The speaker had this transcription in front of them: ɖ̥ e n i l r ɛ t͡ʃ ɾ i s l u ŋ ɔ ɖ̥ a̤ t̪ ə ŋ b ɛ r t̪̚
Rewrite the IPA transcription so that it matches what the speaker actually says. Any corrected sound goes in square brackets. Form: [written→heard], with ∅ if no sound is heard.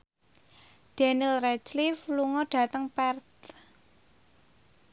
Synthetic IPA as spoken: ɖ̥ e n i l r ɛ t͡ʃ [ɾ→l] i [s→f] l u ŋ ɔ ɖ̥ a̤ t̪ ə ŋ [b→p] ɛ r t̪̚

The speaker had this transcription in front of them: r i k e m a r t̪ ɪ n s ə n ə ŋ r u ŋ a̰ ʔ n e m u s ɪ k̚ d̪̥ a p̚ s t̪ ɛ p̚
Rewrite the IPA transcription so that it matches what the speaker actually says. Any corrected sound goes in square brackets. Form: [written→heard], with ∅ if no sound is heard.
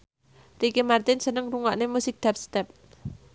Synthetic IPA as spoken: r i k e m a r t̪ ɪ n s ə n ə ŋ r u ŋ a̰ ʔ n e m u s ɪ k̚ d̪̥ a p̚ s t̪ ɛ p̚

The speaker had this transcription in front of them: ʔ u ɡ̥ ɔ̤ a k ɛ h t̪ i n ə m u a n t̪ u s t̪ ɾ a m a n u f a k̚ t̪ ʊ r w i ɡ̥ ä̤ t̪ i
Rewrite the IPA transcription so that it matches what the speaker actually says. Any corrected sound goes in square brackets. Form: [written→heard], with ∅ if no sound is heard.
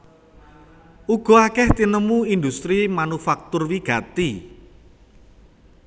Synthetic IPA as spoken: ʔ u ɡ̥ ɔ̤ a k ɛ h t̪ i n ə m u [a→i] n [t̪→d̪] u s t̪ ɾ [a→i] m a n u f a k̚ t̪ ʊ r w i ɡ̥ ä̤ t̪ i

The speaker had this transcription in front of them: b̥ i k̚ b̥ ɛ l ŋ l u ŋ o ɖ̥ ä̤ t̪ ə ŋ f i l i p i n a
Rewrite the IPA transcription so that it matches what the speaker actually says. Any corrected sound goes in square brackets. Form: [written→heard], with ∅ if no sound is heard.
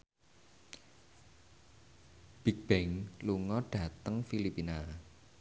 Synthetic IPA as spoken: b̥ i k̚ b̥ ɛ [l→∅] ŋ l u ŋ [o→ɔ] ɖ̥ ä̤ t̪ ə ŋ f i l i p i n a

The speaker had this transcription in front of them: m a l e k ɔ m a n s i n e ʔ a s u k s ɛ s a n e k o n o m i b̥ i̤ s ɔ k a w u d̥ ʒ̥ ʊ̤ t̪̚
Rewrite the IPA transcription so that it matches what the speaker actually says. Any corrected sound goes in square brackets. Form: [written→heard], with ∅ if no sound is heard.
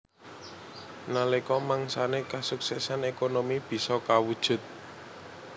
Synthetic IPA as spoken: [m→n] a l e k ɔ m a [n→ŋ] s [i→a] n e [ʔ→k] a s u k s ɛ s a n e k o n o m i b̥ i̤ s ɔ k a w u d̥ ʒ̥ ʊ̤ t̪̚

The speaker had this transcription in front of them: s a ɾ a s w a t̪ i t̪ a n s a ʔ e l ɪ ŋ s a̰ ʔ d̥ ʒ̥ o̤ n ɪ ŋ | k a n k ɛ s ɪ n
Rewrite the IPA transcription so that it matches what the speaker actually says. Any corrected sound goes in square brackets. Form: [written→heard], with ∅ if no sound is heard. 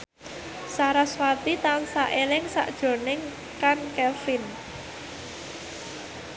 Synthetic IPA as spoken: s a ɾ a s w a t̪ i t̪ a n s a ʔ e l ɪ ŋ s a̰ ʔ d̥ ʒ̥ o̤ n ɪ ŋ | k a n k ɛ [s→f] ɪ n

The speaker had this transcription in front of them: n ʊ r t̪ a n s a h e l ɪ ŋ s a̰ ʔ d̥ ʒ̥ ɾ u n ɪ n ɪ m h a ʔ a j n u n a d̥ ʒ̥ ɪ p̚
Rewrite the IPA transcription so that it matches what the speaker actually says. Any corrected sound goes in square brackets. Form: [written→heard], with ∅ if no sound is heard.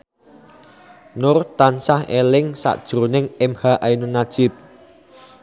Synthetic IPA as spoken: n ʊ r t̪ a n s a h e l ɪ ŋ s a̰ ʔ d̥ ʒ̥ ɾ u n ɪ [n→ŋ] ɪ m h a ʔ a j n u n a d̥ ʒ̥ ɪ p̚

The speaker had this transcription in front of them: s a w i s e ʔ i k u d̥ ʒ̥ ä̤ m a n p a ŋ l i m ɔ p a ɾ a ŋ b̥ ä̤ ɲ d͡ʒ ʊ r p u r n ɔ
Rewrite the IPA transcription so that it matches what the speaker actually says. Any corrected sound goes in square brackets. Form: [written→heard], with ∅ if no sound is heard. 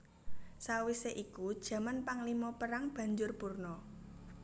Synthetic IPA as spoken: s a w i s e ʔ i k u d̥ ʒ̥ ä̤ m a n p a ŋ l i m ɔ p [a→ə] ɾ a ŋ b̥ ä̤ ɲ d͡ʒ ʊ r p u r n ɔ

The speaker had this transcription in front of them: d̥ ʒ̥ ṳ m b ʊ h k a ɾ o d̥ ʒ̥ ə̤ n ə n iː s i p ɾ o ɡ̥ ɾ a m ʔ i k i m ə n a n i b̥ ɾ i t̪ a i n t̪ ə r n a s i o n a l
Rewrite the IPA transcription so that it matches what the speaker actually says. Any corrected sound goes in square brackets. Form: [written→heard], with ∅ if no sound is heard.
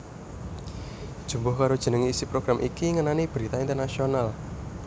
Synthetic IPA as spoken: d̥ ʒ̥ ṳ m b ʊ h k a ɾ o d̥ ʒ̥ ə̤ n ə [n→ŋ] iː s i p ɾ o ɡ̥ ɾ a m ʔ i k i [m→ŋ] ə n a n i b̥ ɾ i t̪ a i n t̪ ə r n a s i o n a l

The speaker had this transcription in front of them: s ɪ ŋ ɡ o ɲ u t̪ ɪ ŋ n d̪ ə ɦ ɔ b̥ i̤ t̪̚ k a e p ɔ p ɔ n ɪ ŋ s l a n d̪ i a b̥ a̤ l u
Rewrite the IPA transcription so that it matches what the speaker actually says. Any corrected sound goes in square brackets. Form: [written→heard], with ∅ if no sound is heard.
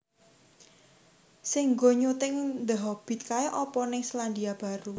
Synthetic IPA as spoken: s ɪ ŋ ɡ o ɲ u t̪ ɪ ŋ n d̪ ə ɦ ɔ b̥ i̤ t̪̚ k a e [p→ʔ] ɔ p ɔ n ɪ ŋ s l a n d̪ i a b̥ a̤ [l→ɾ] u

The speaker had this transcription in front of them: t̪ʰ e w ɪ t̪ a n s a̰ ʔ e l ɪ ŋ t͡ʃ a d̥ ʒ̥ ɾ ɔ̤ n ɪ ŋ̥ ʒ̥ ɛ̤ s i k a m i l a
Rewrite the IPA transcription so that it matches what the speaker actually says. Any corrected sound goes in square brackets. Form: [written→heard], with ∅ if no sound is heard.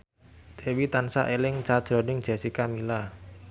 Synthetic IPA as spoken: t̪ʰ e w [ɪ→i] t̪ a n s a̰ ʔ e l ɪ ŋ t͡ʃ a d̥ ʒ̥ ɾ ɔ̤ n ɪ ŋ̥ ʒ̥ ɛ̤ s i k a m i l a

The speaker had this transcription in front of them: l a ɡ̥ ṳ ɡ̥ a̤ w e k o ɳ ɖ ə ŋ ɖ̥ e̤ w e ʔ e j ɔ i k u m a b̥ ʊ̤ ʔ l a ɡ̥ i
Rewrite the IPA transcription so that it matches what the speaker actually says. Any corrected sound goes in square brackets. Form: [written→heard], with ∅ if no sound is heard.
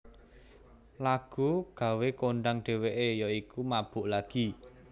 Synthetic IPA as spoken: l a ɡ̥ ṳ ɡ̥ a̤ w e k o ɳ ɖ [ə→a] ŋ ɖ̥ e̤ w e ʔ e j ɔ i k u m a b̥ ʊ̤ ʔ l a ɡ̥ i

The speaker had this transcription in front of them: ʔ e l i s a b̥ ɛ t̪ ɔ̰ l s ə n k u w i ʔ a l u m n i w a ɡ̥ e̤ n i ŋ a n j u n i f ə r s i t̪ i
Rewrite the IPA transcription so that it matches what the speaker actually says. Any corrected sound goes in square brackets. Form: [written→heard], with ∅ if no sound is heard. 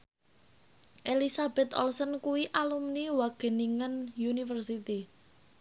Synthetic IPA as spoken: ʔ e l i s a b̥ ɛ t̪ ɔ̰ l s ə n k u w i ʔ a l u m n i w a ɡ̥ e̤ n i ŋ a n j u n i f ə r s i t̪ i

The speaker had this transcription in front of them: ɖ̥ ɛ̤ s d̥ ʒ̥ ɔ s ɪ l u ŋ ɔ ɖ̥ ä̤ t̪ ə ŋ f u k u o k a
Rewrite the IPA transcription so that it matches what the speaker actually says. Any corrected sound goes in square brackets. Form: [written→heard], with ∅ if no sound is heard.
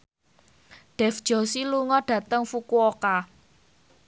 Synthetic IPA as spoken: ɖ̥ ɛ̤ [s→f] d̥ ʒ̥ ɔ s [ɪ→i] l u ŋ ɔ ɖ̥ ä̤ t̪ ə ŋ f u k u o k a

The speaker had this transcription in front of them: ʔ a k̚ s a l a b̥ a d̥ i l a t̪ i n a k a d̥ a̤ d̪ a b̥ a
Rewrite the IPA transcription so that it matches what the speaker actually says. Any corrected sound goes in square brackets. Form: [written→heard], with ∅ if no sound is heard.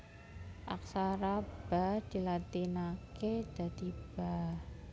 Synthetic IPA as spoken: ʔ a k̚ s a [l→ɾ] a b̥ a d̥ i l a t̪ i n a k [a→e] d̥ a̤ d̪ [a→i] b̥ a

